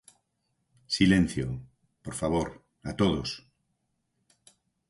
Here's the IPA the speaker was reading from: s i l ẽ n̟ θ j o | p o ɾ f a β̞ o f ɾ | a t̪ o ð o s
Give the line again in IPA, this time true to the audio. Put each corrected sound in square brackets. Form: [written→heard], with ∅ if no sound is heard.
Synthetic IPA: s i l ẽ n̟ θ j o | p o ɾ f a β̞ o [f→∅] ɾ | a t̪ o ð o s